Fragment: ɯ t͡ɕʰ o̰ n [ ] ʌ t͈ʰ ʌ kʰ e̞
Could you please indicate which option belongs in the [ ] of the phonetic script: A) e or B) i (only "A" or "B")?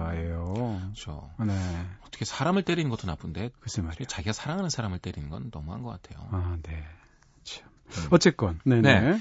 A